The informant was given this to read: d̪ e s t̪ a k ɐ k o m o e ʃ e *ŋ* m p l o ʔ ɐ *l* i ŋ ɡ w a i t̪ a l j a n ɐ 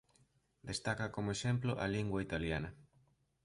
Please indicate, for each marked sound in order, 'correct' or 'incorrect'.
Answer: incorrect: none, correct

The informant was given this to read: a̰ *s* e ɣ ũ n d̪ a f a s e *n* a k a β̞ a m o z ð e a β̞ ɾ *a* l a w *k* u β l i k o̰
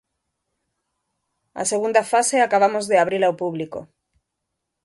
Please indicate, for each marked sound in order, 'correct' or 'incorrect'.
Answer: correct, incorrect: none, incorrect: i, incorrect: p

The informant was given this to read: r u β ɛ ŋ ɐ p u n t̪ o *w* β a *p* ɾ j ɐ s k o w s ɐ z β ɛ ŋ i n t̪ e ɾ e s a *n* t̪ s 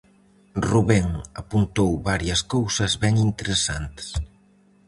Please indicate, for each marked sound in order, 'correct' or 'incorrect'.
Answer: correct, incorrect: none, correct

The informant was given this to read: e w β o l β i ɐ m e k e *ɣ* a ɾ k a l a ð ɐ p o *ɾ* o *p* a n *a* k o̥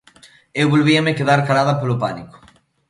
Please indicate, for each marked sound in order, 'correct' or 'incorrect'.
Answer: incorrect: ð, incorrect: l, correct, incorrect: i

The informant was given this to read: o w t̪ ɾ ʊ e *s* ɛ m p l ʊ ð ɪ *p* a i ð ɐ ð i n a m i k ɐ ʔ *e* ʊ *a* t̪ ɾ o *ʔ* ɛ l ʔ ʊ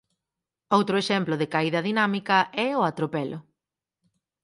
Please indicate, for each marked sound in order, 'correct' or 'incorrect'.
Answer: incorrect: ʃ, incorrect: k, incorrect: ɛ, correct, incorrect: p

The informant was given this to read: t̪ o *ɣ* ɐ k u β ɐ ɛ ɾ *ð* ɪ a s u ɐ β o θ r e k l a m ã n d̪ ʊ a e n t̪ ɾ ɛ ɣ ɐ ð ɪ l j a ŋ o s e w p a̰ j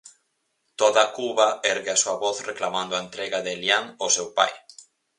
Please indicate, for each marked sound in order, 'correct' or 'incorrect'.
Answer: incorrect: ð, incorrect: ɣ

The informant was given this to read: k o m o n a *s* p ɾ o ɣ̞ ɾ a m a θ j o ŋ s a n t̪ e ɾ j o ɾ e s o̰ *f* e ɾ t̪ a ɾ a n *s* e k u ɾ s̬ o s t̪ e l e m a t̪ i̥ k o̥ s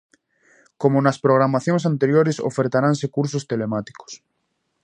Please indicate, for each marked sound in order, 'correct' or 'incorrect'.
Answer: correct, correct, correct

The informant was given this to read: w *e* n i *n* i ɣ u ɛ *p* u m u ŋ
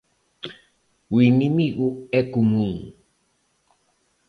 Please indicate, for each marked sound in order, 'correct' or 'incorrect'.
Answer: incorrect: i, incorrect: m, incorrect: k

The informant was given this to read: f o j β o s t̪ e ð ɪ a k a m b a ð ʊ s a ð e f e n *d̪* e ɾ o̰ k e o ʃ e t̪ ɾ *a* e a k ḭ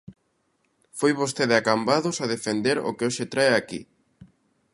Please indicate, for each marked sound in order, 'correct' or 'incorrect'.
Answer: correct, correct

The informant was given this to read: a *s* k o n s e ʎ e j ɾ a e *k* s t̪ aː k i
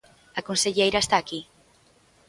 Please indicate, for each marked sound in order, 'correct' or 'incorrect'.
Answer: incorrect: none, incorrect: none

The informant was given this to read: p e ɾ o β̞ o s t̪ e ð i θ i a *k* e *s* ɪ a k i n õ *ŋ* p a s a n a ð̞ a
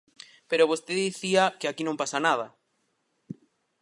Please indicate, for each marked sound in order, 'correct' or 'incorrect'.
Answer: correct, incorrect: none, incorrect: m

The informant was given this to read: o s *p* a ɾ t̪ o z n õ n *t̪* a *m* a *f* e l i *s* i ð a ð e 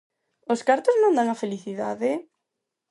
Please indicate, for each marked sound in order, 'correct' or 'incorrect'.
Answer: incorrect: k, incorrect: d̪, incorrect: ŋ, correct, incorrect: θ

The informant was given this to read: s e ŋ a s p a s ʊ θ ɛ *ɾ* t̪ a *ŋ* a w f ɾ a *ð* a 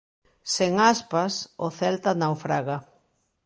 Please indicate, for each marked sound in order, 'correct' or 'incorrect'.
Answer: incorrect: l, incorrect: n, incorrect: ɣ

